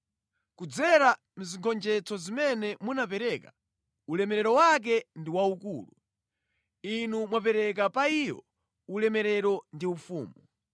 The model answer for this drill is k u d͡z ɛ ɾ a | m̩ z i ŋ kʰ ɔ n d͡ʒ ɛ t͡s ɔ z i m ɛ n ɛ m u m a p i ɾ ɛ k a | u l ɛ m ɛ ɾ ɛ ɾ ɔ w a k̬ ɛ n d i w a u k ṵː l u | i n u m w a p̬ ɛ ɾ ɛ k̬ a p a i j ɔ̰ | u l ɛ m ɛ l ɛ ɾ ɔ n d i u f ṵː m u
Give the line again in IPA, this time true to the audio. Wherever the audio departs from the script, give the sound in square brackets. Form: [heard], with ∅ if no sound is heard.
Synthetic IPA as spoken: k u d͡z ɛ ɾ a | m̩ z i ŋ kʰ ɔ n d͡ʒ ɛ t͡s ɔ z i m ɛ n ɛ m u [n] a p [ɛ] ɾ ɛ k a | u l ɛ m ɛ ɾ ɛ ɾ ɔ w a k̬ ɛ n d i w a u k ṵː l u | i n u m w a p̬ ɛ ɾ ɛ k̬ a p a i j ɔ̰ | u l ɛ m ɛ [ɾ] ɛ ɾ ɔ n d i u f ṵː m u

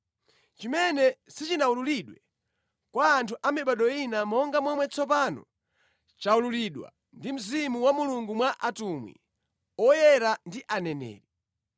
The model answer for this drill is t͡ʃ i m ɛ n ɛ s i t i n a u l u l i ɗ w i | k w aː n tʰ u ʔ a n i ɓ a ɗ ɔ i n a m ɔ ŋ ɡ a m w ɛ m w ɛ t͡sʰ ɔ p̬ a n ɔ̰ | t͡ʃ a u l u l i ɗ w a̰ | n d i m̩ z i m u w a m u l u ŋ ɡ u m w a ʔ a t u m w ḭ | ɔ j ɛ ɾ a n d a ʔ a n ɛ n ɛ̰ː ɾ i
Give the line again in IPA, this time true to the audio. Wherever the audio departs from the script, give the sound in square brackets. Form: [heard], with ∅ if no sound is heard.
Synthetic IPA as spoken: t͡ʃ i m ɛ n ɛ s i [t͡ʃ] i n a u l u l i ɗ w [ɛ] | k w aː n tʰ u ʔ a [m] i ɓ a ɗ ɔ i n a m ɔ ŋ ɡ a m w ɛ m w ɛ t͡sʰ ɔ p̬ a n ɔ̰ | t͡ʃ a u l u l i ɗ w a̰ | n d i m̩ z i m u w a m u l u ŋ ɡ u m w a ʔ a t u m w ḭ | ɔ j ɛ ɾ a n d [i] ʔ a n ɛ n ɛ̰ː ɾ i

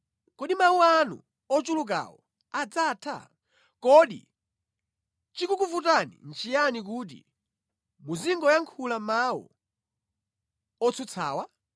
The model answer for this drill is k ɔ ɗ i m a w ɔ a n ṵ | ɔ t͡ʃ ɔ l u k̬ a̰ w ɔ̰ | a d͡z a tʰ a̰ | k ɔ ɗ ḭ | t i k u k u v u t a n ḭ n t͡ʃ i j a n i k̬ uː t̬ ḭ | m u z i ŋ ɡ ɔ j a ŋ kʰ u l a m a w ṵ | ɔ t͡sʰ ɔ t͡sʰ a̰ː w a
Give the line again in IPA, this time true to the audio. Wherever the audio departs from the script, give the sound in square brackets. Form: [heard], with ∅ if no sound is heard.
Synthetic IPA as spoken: k ɔ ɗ i m a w [u] a n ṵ | ɔ t͡ʃ [u] l u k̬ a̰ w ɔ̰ | a d͡z a tʰ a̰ | k ɔ ɗ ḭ | [t͡ʃ] i k u k u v u t a n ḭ n t͡ʃ i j a n i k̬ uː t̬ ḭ | m u z i ŋ ɡ ɔ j a ŋ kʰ u l a m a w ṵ | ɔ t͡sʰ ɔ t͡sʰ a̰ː w a

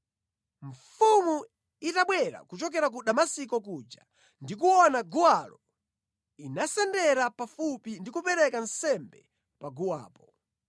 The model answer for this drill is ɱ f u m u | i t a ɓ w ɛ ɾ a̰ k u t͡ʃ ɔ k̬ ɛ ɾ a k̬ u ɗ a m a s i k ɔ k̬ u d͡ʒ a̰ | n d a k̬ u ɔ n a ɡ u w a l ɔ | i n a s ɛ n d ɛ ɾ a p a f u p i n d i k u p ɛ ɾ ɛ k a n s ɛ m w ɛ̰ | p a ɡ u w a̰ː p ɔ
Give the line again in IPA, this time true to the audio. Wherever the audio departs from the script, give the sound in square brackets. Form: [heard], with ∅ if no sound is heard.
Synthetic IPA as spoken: ɱ f u m u | i t a ɓ w ɛ ɾ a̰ k u t͡ʃ ɔ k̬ ɛ ɾ a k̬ u ɗ a m a s i k ɔ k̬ u d͡ʒ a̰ | n d [i] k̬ u ɔ n a ɡ u w a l ɔ | i n a s ɛ n d ɛ ɾ a p a f u p i n d i k u p ɛ ɾ ɛ k a n s ɛ m [b] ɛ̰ | p a ɡ u w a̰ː p ɔ

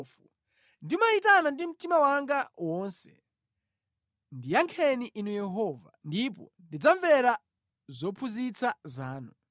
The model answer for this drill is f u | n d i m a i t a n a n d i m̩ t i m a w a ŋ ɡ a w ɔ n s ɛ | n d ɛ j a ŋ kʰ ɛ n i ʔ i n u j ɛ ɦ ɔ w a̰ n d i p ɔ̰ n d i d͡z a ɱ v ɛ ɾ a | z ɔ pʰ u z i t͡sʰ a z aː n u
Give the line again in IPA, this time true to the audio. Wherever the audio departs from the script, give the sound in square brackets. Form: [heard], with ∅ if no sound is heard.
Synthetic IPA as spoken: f u | n d i m a i t a n a n d i m̩ t i m a w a ŋ ɡ a w ɔ n s ɛ | n d [i] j a ŋ kʰ ɛ n i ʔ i n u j ɛ ɦ ɔ [v] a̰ n d i p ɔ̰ n d i d͡z a ɱ v ɛ ɾ a | z ɔ pʰ u z i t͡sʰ a z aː n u

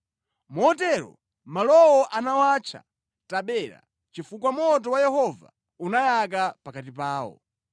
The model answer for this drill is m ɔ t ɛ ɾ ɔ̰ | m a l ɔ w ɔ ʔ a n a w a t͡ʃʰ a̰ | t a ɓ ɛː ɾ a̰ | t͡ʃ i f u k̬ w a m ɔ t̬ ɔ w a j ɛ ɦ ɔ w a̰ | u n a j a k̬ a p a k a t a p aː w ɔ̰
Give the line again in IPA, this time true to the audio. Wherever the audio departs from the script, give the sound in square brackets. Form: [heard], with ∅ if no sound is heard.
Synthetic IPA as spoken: m ɔ t ɛ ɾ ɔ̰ | m a l ɔ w ɔ ʔ a n a w a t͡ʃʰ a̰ | t a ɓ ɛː ɾ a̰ | t͡ʃ i f u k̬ w a m ɔ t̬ ɔ w a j ɛ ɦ ɔ [v] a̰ | u n a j a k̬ a p a k a t [i] p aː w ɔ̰

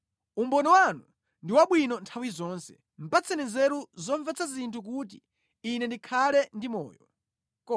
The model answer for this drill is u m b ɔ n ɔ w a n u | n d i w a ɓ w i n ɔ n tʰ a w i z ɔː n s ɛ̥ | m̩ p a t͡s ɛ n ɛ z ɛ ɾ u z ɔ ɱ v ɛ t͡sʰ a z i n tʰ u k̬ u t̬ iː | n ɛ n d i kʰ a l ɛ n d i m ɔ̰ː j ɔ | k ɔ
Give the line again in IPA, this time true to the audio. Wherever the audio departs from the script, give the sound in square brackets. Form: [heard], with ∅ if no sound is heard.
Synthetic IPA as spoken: u m b ɔ n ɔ w a n u | n d i w a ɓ w i n ɔ n tʰ a w i z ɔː n s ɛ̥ | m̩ p a t͡s ɛ n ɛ z ɛ ɾ u z ɔ ɱ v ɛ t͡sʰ a z i n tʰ u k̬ u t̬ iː | n ɛ n d i kʰ a l ɛ n d i m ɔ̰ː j ɔ | k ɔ

